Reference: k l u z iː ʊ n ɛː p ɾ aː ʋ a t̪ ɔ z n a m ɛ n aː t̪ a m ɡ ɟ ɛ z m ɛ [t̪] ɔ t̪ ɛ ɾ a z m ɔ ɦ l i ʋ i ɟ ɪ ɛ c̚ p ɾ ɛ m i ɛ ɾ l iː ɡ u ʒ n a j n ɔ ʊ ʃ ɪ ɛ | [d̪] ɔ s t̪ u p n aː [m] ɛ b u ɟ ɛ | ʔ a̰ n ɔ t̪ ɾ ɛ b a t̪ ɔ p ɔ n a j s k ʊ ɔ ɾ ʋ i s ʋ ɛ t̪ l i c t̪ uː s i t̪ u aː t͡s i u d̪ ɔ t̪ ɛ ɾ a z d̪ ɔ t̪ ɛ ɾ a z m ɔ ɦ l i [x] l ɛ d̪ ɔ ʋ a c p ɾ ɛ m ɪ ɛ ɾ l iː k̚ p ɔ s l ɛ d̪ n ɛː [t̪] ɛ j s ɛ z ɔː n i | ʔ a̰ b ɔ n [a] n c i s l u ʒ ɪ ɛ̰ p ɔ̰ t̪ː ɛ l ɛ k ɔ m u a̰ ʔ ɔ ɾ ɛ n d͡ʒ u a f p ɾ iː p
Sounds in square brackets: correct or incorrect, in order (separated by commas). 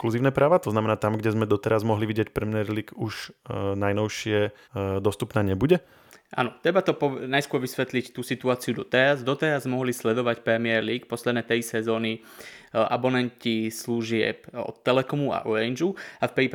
incorrect, correct, incorrect, incorrect, correct, incorrect